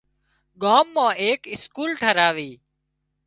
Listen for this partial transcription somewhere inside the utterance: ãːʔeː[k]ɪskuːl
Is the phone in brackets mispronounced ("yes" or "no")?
no